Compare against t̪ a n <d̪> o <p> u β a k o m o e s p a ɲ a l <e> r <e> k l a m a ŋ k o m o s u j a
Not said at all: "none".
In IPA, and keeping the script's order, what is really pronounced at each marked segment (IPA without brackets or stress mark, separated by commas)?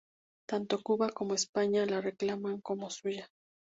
t̪, k, a, e